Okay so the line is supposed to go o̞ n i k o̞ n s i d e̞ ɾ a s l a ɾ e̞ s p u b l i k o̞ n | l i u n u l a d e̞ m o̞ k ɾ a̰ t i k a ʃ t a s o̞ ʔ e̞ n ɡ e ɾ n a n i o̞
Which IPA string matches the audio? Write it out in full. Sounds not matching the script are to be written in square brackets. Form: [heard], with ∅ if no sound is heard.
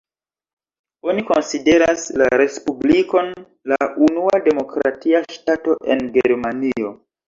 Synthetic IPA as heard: o̞ n i k o̞ n s i d e̞ ɾ a s l a ɾ e̞ s p u b l i k o̞ n | l [a] u n u [∅] a d e̞ m o̞ k ɾ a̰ t i [∅] a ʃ t a [t] o̞ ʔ e̞ n ɡ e ɾ [m] a n i o̞